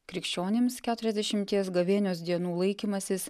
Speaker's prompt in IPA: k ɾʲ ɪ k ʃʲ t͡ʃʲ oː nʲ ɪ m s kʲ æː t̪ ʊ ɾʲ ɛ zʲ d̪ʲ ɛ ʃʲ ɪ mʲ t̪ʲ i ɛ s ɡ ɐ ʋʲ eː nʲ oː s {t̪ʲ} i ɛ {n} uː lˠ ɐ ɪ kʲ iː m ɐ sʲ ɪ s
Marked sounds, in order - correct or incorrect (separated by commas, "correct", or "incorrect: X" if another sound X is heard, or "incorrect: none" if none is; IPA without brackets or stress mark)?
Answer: incorrect: d̪ʲ, correct